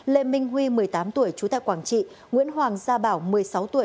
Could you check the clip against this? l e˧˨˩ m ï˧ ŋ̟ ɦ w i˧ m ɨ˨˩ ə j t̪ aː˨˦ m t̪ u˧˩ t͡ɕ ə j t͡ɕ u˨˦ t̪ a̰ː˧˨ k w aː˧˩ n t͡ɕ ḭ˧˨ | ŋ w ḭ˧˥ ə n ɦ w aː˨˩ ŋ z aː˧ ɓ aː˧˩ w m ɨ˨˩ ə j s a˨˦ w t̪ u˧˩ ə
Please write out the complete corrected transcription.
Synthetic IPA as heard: l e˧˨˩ m ï˧ ŋ̟ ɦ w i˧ m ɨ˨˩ ə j t̪ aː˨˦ m t̪ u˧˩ ə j t͡ɕ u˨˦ t̪ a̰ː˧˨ k w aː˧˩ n t͡ɕ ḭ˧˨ | ŋ w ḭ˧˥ ə n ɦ w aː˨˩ ŋ z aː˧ ɓ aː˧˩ w m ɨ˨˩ ə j s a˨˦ w t̪ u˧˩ ə